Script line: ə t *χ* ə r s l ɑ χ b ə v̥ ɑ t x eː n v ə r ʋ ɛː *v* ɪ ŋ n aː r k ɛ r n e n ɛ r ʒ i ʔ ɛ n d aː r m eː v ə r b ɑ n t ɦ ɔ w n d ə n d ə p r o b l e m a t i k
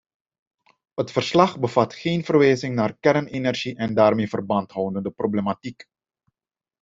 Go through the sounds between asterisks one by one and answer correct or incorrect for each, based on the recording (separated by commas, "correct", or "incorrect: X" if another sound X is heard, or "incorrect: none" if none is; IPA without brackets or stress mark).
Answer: incorrect: f, incorrect: z